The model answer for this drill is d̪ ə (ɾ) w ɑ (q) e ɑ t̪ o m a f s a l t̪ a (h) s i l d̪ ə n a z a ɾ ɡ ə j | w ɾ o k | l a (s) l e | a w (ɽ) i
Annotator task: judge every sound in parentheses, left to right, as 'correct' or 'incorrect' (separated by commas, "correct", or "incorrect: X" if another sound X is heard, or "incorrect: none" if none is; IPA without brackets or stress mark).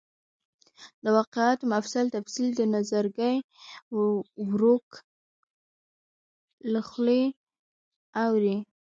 incorrect: none, correct, incorrect: f, incorrect: x, incorrect: ɾ